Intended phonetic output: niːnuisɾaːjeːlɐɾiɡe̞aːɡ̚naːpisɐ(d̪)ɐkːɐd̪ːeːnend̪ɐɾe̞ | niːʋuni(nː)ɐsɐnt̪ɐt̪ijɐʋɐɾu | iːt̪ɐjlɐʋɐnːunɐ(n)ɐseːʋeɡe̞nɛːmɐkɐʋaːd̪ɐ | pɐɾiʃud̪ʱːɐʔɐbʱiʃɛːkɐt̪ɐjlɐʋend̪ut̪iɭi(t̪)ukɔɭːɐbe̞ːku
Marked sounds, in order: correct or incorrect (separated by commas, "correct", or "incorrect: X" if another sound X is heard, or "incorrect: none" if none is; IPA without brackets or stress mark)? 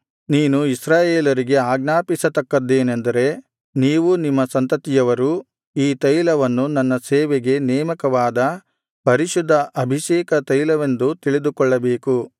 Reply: incorrect: t̪, incorrect: mː, incorrect: nː, incorrect: d̪